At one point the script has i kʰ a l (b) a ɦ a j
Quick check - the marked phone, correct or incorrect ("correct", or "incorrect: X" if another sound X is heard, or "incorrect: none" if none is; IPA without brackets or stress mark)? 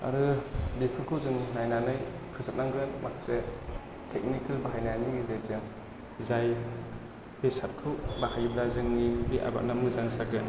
correct